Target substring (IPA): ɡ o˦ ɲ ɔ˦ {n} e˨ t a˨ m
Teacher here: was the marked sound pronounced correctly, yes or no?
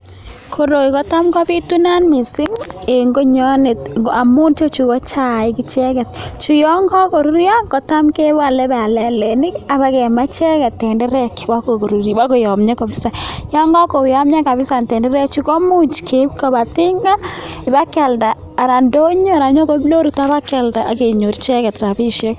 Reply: yes